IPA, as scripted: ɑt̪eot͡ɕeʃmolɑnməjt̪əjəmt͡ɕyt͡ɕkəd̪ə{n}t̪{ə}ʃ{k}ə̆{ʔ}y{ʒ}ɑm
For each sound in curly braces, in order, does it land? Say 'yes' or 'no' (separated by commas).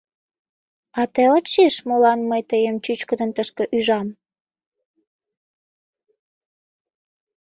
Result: yes, yes, yes, yes, yes